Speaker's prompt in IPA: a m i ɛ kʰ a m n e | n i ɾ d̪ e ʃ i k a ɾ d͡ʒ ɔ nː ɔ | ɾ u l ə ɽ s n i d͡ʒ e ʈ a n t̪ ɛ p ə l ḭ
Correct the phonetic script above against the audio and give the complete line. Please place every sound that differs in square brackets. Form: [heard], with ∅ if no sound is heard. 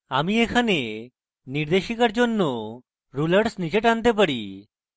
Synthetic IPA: a m i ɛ kʰ a [∅] n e | n i ɾ d̪ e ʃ i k a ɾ d͡ʒ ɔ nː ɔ | ɾ u l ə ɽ s n i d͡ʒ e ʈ a n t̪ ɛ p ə [ɽ] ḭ